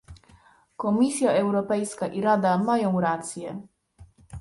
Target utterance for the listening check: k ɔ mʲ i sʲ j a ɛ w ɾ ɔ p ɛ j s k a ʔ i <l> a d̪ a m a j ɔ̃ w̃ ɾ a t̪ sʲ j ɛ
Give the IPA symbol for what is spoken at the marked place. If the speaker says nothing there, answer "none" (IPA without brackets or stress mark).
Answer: ɾ